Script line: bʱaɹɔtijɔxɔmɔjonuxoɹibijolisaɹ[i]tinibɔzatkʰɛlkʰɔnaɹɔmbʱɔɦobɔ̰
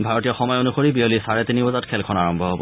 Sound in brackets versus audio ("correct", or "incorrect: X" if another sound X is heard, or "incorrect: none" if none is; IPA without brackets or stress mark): incorrect: ɛ